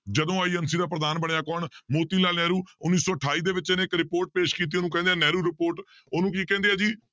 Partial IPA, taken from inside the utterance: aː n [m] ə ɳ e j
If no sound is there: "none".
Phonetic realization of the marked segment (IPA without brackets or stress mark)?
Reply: b